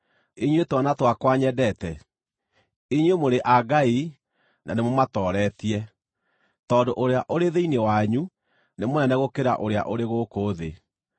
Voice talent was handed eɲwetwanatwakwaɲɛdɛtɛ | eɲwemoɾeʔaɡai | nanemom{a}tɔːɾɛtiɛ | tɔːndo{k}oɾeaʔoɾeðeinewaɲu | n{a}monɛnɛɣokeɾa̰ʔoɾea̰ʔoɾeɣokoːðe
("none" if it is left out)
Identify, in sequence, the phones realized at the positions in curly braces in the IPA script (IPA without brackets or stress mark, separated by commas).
a, ʔ, e